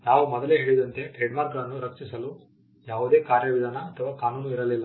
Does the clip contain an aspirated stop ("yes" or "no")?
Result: yes